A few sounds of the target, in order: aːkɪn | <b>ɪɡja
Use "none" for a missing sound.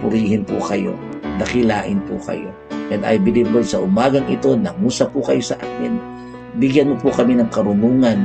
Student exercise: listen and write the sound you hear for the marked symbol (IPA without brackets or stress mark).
b